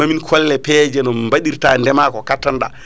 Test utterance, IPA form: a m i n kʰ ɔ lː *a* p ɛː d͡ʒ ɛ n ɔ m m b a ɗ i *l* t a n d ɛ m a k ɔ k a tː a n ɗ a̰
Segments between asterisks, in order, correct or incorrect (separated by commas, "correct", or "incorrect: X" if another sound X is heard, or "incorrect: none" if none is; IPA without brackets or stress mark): incorrect: ɛ, incorrect: ɾ